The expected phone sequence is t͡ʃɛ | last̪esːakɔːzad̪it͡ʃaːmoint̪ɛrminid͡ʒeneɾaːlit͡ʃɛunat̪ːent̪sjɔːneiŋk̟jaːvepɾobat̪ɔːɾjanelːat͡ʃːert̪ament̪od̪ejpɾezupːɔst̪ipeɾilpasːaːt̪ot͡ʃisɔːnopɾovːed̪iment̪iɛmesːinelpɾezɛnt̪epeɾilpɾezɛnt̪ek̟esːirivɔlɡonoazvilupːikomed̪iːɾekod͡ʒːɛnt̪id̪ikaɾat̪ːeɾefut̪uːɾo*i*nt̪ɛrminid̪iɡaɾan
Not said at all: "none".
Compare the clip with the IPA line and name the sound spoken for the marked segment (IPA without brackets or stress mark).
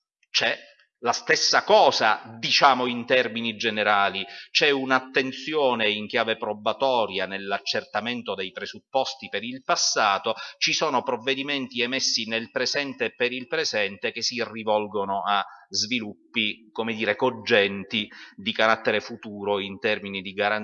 i